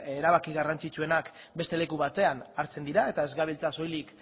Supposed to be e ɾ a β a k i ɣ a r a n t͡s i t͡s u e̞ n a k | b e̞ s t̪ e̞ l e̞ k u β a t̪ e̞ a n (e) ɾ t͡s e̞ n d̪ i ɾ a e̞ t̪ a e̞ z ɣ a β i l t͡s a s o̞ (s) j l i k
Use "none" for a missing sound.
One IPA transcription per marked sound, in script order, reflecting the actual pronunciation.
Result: a, none

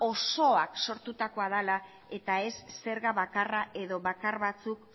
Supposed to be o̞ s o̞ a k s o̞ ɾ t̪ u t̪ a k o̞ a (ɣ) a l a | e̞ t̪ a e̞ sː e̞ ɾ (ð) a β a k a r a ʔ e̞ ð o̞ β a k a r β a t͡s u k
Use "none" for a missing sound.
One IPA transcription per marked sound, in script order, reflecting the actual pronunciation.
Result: ð, ɣ

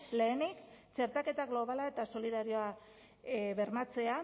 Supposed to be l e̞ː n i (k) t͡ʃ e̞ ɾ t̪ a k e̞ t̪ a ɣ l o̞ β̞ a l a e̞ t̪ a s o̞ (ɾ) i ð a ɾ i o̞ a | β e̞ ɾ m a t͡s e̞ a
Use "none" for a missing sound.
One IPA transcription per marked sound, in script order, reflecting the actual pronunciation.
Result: k, l

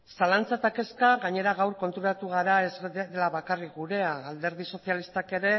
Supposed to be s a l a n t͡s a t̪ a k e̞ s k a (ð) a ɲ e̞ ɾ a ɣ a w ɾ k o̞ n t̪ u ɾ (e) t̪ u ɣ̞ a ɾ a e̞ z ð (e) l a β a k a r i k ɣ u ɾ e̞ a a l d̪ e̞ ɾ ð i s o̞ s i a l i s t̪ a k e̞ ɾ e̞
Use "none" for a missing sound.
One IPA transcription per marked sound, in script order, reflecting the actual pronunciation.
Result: ɣ, a, e

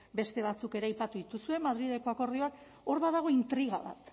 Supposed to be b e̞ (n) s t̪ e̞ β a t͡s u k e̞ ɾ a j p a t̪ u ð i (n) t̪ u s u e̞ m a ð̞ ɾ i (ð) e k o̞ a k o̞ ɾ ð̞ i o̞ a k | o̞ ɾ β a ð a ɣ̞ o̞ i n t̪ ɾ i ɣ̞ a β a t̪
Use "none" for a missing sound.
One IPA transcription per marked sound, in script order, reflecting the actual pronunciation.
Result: none, none, ð

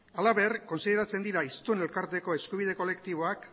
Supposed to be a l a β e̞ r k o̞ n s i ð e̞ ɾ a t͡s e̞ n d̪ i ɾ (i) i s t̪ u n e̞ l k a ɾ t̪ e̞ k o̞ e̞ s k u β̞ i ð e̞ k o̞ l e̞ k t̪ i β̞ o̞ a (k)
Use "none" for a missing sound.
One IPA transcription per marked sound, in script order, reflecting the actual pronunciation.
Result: a, k

